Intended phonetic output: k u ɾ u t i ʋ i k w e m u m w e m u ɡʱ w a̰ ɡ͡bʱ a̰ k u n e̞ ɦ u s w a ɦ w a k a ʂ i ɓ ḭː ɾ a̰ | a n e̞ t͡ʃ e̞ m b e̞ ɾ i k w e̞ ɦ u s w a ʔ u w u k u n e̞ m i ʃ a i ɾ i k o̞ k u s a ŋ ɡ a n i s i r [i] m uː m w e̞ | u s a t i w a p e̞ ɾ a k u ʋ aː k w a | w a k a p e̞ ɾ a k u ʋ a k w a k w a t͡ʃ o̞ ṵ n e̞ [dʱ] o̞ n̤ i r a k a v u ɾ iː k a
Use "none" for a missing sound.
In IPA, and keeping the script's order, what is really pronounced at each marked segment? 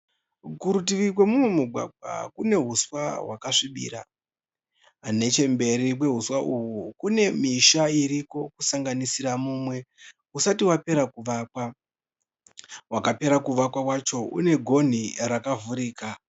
a, ɡʱ

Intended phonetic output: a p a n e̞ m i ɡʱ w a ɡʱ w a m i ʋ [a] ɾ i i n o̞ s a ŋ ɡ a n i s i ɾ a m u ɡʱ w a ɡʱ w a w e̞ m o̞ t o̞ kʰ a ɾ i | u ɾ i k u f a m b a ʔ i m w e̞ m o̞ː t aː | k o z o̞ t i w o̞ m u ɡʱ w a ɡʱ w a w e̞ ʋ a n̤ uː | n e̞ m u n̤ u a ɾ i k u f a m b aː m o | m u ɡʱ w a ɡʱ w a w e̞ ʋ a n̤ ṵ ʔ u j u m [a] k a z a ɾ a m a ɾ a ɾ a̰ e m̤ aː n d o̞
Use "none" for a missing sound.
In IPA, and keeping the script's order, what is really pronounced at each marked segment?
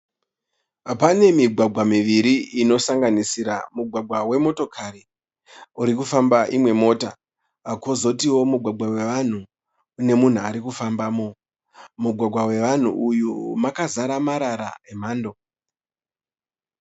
i, a

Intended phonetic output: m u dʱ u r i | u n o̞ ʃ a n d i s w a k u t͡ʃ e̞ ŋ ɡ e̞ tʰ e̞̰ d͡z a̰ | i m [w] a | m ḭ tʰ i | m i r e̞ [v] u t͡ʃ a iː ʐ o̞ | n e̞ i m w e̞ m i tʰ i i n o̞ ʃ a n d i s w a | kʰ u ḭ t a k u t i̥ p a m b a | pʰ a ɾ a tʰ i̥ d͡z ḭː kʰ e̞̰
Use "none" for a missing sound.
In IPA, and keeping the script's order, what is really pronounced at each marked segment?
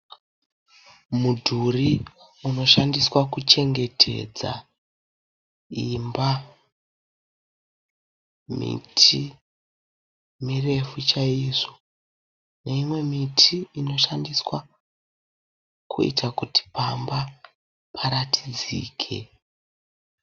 b, f

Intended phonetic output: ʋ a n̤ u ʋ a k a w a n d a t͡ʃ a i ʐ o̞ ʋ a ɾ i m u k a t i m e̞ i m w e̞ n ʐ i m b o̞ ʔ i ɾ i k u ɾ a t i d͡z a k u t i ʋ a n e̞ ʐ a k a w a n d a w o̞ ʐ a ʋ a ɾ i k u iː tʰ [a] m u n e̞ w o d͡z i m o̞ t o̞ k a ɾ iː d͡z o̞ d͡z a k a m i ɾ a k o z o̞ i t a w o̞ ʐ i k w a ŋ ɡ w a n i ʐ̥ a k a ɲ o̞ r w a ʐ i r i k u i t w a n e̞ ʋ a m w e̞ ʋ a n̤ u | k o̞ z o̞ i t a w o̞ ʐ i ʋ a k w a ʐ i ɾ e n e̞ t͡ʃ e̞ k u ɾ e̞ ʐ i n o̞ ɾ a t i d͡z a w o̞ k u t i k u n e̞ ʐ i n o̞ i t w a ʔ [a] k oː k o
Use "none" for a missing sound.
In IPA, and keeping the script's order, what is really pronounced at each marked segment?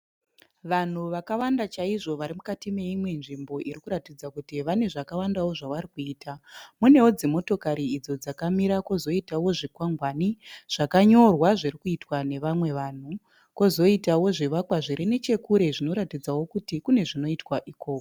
a, i

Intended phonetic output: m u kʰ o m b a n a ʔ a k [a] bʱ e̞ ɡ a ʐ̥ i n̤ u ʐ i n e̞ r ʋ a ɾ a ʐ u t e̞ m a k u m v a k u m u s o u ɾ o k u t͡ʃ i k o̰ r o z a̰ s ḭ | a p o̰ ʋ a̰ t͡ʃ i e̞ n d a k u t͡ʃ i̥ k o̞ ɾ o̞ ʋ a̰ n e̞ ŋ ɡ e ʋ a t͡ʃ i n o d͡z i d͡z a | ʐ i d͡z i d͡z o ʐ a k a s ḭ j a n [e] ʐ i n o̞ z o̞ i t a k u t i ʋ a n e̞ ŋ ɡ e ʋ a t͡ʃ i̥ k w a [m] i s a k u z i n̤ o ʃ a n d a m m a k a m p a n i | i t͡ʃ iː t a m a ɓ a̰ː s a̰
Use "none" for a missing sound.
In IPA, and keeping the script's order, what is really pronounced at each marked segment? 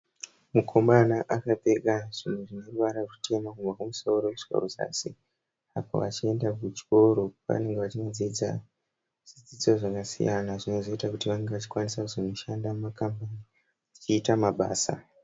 a, a, n

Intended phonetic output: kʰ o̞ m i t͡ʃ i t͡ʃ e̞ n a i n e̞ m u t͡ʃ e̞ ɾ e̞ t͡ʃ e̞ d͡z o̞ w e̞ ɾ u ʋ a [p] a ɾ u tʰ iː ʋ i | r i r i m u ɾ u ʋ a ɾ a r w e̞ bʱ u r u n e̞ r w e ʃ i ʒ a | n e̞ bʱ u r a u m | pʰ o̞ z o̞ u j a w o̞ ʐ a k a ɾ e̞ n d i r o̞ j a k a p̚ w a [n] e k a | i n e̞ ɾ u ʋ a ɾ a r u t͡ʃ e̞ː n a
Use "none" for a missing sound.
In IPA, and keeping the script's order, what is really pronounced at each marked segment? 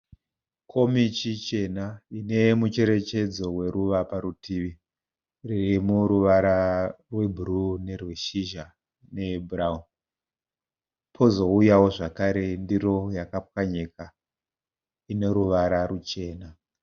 p, ɲ

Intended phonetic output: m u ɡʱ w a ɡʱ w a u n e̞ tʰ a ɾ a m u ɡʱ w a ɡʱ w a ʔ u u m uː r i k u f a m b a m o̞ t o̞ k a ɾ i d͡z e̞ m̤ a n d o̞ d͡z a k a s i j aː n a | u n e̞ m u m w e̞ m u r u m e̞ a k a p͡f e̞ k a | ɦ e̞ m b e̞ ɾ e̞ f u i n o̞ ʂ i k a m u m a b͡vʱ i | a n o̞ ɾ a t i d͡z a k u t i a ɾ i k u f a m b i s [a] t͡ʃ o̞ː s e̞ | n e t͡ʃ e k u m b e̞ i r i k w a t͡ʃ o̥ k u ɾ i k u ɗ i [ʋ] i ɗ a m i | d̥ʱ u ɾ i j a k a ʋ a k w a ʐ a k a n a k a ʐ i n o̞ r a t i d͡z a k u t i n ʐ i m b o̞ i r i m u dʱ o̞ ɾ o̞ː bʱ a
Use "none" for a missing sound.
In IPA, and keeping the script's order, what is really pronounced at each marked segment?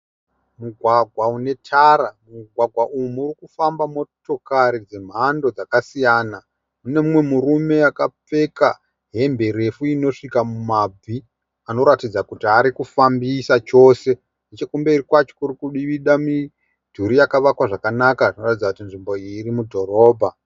a, ʋ

